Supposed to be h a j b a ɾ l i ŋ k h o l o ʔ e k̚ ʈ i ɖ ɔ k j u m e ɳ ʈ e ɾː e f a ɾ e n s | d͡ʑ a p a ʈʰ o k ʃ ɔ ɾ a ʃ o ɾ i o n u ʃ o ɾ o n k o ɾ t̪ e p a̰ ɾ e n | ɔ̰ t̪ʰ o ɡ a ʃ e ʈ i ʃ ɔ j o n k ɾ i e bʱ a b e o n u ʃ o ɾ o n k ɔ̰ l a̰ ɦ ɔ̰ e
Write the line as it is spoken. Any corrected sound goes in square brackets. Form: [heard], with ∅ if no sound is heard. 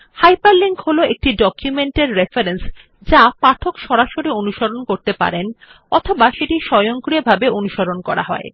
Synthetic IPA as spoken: h a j [p] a ɾ l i ŋ k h o l o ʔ e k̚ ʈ i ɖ ɔ k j u m e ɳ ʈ e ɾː e f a ɾ e n s | d͡ʑ a p a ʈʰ o k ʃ ɔ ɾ a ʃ o ɾ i o n u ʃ o ɾ o n k o ɾ t̪ e p a̰ ɾ e n | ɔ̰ t̪ʰ o [b] a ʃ e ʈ i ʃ ɔ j o [ŋ] k ɾ i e bʱ a b e o n u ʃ o ɾ o n k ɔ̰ [ɾ] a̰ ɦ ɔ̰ e

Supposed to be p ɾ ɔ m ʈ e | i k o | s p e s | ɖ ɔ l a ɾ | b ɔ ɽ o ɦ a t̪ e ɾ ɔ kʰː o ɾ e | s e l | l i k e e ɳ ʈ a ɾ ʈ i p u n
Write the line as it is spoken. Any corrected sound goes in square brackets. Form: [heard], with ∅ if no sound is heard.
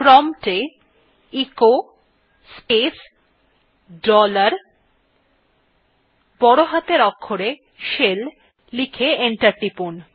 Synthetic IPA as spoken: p ɾ ɔ m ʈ e | i k o | s p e s | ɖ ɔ l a ɾ | b ɔ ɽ o ɦ a t̪ e ɾ ɔ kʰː o ɾ e | [ʃ] e l | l i [kʰ] e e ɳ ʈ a ɾ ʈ i p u n

